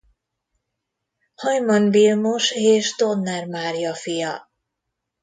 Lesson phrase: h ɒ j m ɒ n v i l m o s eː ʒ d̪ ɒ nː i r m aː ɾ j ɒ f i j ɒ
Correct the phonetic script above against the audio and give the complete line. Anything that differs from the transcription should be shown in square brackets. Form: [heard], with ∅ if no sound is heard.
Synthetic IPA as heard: h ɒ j m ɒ n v i l m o [ʃ] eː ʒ d̪ [o] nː [ɛ] r m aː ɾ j ɒ f i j ɒ